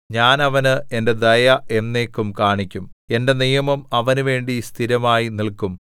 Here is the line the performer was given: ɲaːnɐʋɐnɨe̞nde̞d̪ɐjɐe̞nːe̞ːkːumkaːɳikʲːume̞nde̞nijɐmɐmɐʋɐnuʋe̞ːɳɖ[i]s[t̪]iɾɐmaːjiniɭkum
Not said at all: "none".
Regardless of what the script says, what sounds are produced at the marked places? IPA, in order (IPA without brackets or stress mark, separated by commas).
i, t̪ʰ